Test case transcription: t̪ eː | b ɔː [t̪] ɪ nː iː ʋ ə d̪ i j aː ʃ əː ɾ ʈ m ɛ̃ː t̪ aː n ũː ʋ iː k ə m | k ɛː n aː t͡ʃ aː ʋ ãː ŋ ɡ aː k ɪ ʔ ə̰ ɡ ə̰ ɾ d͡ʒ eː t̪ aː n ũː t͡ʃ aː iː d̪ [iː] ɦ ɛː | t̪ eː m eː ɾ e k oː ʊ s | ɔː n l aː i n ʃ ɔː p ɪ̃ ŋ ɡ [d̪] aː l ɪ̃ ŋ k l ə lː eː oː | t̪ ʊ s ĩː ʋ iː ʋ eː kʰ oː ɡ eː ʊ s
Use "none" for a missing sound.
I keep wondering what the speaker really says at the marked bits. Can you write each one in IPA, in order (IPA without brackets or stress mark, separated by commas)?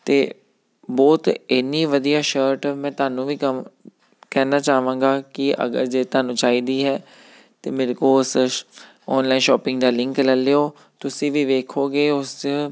t̪, iː, d̪